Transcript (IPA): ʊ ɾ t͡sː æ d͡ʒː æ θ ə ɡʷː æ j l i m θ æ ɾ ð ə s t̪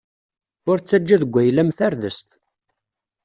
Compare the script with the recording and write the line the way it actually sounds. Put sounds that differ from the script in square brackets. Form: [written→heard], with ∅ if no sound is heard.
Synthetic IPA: ʊ ɾ t͡sː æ d͡ʒː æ [θ→ð] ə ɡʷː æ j l [i→æ] m θ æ ɾ ð ə s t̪